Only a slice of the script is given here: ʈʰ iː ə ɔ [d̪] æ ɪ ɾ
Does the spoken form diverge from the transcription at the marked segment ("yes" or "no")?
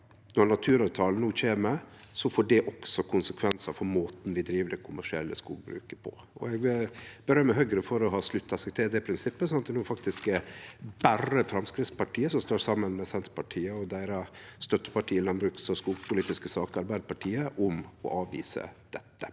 no